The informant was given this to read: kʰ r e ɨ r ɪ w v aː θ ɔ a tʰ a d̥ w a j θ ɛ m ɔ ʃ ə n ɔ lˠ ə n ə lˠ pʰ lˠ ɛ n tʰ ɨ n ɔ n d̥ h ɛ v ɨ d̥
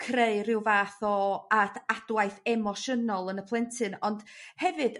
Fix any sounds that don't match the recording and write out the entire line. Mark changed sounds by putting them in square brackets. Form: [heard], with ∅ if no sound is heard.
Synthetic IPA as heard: kʰ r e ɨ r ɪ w v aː θ ɔ a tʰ a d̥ w a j θ ɛ m ɔ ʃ ə n ɔ lˠ ə n ə [∅] pʰ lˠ ɛ n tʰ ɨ n ɔ n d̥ h ɛ v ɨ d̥